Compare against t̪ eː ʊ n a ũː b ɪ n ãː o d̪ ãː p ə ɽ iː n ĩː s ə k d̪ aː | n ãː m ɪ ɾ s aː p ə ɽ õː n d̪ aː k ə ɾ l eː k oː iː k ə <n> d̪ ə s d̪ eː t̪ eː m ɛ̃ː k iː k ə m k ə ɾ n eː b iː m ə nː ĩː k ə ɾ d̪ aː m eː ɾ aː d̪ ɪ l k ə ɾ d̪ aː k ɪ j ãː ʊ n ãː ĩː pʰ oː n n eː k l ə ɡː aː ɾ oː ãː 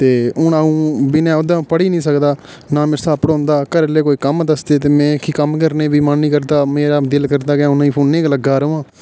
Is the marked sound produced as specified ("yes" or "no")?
no